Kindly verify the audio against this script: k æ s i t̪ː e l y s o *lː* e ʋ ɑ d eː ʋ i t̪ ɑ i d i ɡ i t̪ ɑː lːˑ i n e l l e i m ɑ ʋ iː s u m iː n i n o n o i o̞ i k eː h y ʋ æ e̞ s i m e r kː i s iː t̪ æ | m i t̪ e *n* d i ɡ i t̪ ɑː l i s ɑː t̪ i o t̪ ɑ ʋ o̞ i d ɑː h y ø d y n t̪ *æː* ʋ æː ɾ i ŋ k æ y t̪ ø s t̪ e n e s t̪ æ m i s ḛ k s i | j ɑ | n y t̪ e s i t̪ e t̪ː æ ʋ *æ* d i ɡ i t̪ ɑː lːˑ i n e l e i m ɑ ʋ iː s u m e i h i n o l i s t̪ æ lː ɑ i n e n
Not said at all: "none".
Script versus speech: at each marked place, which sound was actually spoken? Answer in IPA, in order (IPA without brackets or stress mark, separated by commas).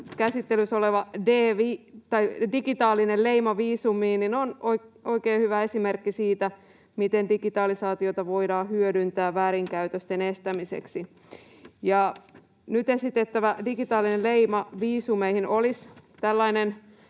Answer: l, n, æː, æ